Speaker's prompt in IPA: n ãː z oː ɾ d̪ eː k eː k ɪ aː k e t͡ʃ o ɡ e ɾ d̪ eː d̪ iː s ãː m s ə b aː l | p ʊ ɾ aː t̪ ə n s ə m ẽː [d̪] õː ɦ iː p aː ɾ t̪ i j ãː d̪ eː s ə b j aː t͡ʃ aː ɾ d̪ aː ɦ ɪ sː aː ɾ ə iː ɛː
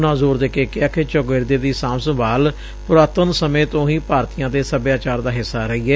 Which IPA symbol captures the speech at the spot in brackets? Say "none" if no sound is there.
t̪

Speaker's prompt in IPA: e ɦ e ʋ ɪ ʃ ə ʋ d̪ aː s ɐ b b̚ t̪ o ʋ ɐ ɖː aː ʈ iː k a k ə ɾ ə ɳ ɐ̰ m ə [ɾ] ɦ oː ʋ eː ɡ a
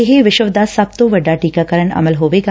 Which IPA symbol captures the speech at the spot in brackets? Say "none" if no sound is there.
l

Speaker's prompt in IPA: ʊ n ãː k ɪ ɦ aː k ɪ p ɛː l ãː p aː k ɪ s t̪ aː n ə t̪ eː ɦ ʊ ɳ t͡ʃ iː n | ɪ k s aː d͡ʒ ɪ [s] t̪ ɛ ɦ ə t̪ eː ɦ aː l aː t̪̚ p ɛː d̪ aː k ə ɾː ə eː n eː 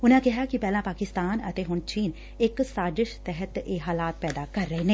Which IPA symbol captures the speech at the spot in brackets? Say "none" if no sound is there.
ʃ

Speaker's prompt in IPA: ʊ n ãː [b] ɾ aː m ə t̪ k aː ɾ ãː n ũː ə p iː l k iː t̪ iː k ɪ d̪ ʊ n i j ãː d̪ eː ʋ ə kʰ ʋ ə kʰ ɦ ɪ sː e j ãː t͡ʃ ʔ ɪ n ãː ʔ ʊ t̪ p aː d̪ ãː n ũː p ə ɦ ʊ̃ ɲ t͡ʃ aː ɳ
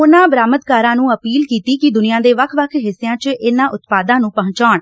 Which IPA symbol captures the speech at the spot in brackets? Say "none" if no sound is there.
b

